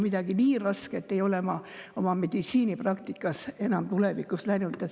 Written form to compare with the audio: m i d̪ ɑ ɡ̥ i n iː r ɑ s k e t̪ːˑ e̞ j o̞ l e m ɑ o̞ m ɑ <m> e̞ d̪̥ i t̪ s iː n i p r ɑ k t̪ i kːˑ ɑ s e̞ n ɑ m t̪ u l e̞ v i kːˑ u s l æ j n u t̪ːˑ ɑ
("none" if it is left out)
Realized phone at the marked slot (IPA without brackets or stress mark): m